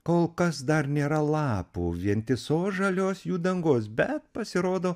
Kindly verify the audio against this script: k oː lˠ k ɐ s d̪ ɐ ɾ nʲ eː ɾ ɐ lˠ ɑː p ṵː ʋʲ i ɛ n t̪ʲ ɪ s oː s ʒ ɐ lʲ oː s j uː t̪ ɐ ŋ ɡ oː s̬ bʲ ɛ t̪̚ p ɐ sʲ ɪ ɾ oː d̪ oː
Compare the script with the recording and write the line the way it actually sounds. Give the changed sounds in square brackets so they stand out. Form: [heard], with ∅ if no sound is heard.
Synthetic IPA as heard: k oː lˠ k ɐ s d̪ ɐ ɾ nʲ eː ɾ ɐ lˠ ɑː p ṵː ʋʲ i ɛ n t̪ʲ ɪ s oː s ʒ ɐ lʲ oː s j uː [d̪] ɐ ŋ ɡ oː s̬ bʲ ɛ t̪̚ p ɐ sʲ ɪ ɾ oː d̪ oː